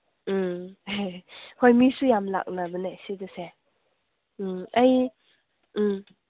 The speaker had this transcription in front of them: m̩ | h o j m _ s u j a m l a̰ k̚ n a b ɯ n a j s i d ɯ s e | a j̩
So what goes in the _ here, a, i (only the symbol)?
i